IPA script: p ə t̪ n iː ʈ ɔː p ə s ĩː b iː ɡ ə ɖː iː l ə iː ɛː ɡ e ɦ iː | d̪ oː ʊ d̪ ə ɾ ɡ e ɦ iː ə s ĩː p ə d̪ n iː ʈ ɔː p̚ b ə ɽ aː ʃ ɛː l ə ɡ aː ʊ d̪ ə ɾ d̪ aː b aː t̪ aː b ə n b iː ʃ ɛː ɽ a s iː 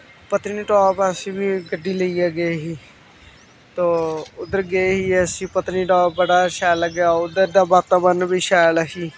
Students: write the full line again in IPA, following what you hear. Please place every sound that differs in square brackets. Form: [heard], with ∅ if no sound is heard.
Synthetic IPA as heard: p ə t̪ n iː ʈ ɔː p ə s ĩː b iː ɡ ə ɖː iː l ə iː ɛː ɡ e ɦ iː | [t̪] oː ʊ d̪ ə ɾ ɡ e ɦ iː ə s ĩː p ə [t̪] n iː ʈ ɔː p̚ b ə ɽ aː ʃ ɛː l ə ɡ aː ʊ d̪ ə ɾ d̪ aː b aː t̪ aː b ə n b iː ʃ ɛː [l] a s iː